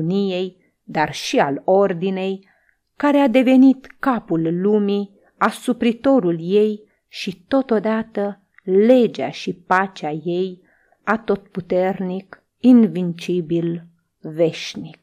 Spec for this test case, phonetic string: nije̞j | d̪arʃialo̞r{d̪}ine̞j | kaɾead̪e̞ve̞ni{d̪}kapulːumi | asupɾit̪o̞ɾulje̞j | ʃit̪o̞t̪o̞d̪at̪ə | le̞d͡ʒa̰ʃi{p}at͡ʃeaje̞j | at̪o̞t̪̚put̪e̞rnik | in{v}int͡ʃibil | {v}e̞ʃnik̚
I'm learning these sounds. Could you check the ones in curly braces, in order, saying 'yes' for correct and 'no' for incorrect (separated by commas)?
yes, no, yes, yes, yes